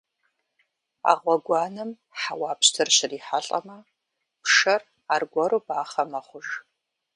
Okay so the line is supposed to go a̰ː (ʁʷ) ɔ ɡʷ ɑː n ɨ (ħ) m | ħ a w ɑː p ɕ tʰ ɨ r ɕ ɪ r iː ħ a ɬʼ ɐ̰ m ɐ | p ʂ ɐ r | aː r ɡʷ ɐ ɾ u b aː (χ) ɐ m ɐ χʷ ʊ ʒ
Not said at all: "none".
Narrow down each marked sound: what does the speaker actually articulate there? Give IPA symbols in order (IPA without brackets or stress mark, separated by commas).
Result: ʁʷ, none, χ